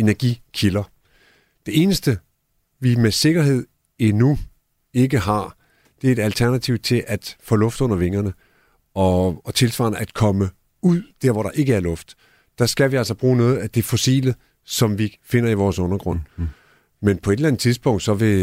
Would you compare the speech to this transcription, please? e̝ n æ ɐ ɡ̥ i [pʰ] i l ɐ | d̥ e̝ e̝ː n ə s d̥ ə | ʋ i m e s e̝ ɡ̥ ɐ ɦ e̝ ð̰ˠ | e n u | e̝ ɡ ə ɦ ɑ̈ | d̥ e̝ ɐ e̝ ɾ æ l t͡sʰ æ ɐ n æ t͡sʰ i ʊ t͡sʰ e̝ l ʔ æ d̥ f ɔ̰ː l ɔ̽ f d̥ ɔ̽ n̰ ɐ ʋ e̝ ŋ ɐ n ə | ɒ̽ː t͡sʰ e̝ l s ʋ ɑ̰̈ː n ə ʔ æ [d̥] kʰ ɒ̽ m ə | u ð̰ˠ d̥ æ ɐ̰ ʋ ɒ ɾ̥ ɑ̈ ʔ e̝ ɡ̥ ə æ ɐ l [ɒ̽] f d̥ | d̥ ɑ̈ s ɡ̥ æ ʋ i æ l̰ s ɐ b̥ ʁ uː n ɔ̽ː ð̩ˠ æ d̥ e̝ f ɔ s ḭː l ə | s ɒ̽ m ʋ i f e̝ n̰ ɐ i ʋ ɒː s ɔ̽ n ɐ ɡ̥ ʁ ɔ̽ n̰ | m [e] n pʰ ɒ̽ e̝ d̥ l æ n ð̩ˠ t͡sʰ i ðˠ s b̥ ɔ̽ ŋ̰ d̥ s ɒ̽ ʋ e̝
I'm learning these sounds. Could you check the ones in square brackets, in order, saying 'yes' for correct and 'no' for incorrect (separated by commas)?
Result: no, yes, no, yes